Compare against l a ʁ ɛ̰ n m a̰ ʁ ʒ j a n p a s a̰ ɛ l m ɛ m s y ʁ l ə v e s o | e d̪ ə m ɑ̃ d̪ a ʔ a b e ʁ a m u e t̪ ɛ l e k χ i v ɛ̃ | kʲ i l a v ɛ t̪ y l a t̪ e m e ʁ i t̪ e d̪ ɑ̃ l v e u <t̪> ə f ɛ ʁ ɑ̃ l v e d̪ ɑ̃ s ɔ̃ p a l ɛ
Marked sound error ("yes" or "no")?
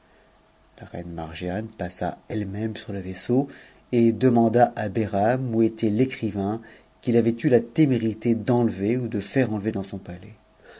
yes